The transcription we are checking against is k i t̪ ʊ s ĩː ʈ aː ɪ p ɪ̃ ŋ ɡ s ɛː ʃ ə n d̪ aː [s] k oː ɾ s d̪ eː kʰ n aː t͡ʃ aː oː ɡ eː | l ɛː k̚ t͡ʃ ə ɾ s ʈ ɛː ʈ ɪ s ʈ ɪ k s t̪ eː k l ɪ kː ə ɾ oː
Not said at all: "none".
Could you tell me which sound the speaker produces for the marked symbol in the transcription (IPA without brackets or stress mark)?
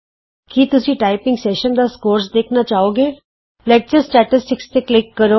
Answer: s